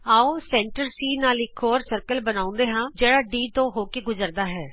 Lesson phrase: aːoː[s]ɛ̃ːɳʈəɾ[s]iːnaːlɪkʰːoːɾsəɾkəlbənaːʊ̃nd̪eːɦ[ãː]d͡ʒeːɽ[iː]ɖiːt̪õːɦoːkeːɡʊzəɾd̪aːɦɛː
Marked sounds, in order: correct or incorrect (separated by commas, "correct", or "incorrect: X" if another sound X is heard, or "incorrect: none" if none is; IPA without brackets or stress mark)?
correct, correct, correct, incorrect: aː